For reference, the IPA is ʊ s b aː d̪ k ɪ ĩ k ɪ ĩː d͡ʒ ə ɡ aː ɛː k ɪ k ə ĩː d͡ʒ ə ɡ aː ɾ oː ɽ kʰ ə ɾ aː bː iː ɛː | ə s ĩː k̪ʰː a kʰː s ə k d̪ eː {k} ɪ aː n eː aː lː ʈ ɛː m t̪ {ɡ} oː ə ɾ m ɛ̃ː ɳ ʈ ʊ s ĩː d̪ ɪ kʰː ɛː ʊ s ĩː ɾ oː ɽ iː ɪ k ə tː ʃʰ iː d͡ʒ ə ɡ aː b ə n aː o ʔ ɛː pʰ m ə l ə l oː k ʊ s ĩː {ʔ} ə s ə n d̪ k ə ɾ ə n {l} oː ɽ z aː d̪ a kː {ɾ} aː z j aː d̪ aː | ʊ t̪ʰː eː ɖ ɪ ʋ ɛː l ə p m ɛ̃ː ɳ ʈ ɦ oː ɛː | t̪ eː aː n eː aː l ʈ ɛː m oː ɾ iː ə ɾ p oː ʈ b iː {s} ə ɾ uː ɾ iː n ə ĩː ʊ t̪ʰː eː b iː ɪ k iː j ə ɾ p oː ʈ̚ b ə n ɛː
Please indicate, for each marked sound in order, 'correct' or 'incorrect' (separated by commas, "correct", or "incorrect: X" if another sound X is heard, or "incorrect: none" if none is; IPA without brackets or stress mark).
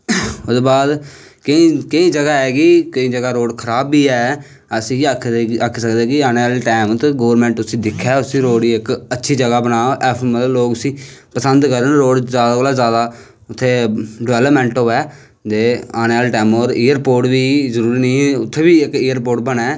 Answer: correct, correct, incorrect: p, incorrect: ɾ, incorrect: l, incorrect: z